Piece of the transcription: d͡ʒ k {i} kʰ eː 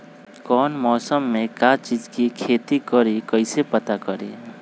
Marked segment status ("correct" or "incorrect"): correct